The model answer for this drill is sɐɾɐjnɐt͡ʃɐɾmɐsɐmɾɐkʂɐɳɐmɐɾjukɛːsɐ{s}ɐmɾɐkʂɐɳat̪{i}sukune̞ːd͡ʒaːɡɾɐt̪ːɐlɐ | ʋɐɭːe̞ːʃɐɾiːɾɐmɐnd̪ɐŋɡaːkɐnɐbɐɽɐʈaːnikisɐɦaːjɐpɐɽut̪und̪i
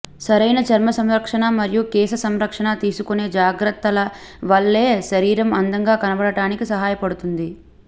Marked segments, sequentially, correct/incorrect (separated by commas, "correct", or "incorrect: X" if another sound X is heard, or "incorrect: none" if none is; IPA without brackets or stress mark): correct, incorrect: iː